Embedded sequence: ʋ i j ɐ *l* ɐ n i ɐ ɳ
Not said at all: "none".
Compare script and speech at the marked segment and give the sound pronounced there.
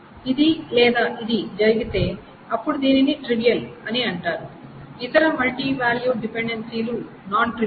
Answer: l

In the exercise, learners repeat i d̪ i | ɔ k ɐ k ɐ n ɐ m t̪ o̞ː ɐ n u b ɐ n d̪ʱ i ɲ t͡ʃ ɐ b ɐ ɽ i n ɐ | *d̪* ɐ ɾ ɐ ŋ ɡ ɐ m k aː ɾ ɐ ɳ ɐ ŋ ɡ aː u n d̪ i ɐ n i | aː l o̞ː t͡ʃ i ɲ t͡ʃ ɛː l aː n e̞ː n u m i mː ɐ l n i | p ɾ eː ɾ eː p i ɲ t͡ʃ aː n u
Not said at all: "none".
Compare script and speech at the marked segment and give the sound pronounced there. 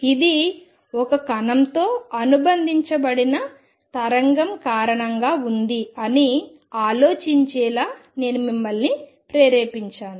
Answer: t̪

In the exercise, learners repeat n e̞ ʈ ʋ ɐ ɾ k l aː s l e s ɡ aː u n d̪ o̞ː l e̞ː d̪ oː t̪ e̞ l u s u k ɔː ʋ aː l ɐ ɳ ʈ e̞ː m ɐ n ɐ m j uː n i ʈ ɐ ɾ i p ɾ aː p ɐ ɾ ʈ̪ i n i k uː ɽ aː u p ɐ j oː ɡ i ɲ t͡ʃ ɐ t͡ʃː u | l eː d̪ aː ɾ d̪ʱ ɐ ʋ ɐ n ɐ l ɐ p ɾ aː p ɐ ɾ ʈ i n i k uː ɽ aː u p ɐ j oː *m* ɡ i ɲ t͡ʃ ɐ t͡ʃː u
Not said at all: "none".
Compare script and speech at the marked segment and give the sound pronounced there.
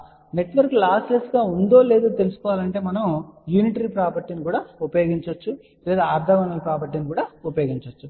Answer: none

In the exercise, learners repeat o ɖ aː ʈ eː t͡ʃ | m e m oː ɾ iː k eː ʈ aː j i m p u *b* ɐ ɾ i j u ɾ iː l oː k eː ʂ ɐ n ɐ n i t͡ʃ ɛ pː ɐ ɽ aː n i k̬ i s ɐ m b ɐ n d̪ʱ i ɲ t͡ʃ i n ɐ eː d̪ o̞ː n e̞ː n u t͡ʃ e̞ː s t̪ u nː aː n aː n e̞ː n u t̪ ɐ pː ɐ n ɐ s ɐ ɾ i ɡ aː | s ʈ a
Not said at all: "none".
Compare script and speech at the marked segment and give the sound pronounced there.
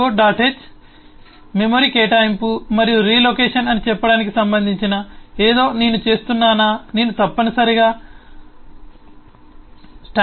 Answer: m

